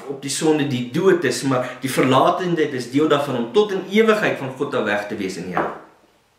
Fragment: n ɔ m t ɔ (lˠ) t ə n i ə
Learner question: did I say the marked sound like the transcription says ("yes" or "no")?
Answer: no